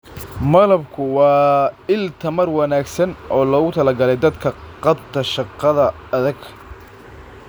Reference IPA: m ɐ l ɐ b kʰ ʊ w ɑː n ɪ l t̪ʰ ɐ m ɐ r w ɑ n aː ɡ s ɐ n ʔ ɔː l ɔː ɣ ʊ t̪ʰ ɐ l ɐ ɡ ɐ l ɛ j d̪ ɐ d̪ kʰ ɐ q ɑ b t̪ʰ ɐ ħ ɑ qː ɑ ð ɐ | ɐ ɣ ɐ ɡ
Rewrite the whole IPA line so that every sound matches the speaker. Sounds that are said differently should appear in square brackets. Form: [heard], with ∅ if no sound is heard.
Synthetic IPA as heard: m ɐ l ɐ b kʰ ʊ w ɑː [∅] ɪ l t̪ʰ ɐ m ɐ r w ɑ n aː ɡ s ɐ n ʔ ɔː l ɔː ɣ ʊ t̪ʰ ɐ l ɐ ɡ ɐ l ɛ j d̪ ɐ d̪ kʰ ɐ q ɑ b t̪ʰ ɐ [ʃ] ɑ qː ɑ ð ɐ | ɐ [ð] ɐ ɡ

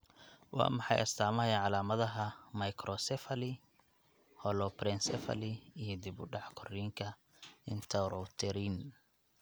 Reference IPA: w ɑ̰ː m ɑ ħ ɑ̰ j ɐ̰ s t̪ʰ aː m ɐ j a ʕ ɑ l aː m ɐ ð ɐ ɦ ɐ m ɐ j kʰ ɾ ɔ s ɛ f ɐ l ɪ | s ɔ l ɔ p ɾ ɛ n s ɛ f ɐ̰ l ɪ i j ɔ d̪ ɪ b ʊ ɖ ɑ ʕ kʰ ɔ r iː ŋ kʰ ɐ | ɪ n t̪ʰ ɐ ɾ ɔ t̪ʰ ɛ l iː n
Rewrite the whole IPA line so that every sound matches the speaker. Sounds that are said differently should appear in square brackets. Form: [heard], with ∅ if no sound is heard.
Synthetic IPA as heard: w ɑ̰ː m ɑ ħ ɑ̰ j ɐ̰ s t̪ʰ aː m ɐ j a ʕ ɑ l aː m ɐ ð ɐ ɦ ɐ m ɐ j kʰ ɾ ɔ s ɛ f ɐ l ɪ | [h] ɔ l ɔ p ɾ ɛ n s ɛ f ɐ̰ l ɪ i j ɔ d̪ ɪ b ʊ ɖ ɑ ʕ kʰ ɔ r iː ŋ kʰ ɐ | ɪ n t̪ʰ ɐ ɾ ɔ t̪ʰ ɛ [ɾ] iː n

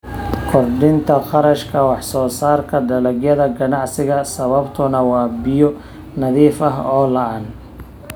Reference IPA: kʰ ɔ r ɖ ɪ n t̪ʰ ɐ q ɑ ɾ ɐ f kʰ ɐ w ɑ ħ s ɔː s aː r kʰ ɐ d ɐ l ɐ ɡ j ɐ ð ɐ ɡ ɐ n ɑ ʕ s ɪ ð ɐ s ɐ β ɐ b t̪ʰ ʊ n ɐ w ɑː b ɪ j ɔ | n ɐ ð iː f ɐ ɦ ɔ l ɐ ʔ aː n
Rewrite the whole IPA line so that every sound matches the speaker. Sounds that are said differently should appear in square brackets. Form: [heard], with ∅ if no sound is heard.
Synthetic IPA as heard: kʰ ɔ r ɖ ɪ n t̪ʰ ɐ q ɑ ɾ ɐ [ʃ] kʰ ɐ w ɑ ħ s ɔː s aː r kʰ ɐ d ɐ l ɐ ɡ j ɐ ð ɐ ɡ ɐ n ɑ ʕ s ɪ [ɣ] ɐ s ɐ β ɐ b t̪ʰ ʊ n ɐ w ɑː b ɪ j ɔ | n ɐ ð iː f ɐ ɦ [ɔː] l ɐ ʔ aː n

